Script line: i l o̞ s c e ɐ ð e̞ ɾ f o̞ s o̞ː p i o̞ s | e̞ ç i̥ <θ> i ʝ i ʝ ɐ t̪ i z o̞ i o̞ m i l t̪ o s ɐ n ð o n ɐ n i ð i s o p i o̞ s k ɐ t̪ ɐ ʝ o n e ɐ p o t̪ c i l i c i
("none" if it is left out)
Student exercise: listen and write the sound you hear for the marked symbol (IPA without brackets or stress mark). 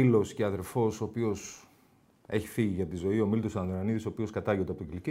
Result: f